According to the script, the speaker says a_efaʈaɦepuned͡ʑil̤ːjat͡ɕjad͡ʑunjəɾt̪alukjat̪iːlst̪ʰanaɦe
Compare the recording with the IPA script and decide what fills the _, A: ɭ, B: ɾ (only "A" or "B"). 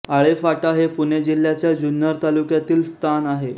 A